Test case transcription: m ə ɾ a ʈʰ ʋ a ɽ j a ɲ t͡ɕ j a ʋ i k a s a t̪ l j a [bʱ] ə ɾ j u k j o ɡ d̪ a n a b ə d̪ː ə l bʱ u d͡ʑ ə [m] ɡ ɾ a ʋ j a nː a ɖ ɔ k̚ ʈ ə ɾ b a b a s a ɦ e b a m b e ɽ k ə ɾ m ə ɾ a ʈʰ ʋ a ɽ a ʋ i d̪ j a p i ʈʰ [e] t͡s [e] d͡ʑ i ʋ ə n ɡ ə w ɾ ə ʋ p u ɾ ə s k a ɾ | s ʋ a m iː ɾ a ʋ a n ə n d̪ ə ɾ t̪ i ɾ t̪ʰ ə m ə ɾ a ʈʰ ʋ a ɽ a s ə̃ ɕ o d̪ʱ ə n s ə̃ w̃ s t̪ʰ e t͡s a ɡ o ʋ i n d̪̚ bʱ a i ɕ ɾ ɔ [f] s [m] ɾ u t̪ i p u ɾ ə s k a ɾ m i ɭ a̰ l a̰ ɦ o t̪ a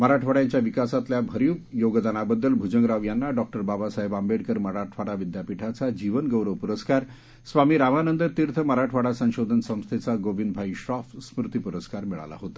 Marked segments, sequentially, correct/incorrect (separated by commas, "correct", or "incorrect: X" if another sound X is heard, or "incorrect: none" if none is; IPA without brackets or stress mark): correct, incorrect: ŋ, incorrect: a, incorrect: a, correct, correct